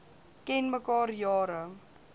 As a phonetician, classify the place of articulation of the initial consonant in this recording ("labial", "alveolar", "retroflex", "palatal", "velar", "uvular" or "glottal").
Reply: velar